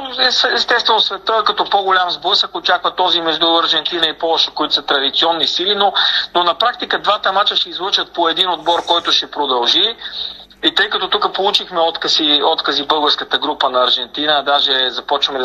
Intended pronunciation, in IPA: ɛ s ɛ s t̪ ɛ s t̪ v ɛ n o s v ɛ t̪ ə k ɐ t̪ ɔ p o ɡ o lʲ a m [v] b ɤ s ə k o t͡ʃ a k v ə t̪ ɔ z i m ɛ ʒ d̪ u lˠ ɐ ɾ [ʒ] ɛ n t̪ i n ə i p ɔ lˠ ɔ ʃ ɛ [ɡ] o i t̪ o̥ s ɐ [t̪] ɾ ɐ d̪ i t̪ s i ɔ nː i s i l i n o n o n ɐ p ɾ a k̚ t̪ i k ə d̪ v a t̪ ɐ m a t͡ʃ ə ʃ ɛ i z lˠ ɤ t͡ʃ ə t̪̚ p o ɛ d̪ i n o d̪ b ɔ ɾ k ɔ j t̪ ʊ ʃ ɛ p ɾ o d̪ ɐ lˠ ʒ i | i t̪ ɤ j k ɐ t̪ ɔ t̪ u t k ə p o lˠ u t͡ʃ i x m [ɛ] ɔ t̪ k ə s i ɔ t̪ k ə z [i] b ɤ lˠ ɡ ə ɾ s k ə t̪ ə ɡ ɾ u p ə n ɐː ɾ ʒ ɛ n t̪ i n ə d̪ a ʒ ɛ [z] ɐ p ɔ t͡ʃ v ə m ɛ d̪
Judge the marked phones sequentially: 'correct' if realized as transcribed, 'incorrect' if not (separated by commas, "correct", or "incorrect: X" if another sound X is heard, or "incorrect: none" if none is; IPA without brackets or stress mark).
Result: incorrect: z, correct, incorrect: k, correct, correct, correct, correct